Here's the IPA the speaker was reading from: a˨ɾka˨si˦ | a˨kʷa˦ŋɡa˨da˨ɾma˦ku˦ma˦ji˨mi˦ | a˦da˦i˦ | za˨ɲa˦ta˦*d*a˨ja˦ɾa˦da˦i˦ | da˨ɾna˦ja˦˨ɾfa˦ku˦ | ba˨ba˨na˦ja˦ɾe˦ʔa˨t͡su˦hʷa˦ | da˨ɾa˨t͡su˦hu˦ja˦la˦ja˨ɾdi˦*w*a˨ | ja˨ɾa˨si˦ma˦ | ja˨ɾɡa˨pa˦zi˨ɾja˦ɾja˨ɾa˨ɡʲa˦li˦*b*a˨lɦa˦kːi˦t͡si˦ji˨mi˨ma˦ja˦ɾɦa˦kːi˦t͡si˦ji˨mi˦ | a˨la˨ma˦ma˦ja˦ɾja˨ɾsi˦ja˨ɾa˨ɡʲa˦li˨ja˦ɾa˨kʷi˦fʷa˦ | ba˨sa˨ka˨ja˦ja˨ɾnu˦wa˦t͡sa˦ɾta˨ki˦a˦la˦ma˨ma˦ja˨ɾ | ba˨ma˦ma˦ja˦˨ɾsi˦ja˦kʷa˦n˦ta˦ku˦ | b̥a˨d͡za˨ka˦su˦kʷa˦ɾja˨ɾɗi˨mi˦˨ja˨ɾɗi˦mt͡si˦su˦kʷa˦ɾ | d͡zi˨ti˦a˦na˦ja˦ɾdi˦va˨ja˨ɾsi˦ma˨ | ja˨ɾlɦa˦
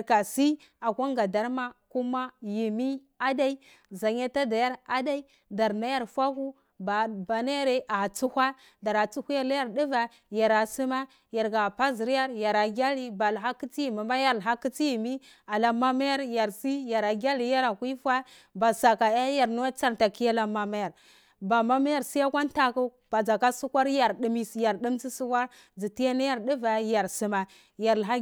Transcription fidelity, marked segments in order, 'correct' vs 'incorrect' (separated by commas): correct, incorrect, correct